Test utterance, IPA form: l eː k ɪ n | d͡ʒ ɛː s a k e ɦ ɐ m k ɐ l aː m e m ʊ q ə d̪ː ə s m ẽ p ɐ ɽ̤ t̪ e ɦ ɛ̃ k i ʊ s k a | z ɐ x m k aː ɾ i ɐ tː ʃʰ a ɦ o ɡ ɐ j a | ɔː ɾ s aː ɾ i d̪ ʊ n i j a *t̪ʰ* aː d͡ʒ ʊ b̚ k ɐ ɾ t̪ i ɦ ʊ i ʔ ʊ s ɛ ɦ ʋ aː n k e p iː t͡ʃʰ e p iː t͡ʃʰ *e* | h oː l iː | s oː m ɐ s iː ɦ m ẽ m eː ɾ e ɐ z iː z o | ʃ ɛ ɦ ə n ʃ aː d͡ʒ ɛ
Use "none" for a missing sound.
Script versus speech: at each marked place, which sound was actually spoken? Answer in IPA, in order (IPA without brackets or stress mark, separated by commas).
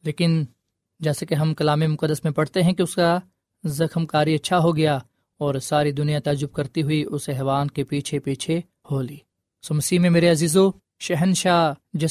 t̪, e